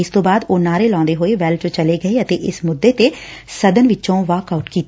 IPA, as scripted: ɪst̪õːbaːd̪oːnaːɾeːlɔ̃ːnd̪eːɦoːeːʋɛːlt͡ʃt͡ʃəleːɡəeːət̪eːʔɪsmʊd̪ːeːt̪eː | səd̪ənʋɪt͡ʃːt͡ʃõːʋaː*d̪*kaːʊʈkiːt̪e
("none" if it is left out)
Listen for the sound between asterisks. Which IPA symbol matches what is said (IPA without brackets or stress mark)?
none